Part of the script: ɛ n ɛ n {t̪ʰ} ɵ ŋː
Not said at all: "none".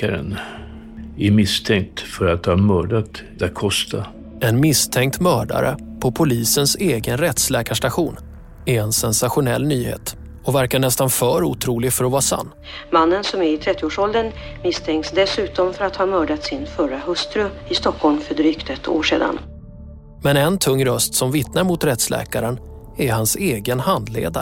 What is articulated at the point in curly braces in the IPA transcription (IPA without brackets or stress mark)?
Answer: t̪ʰ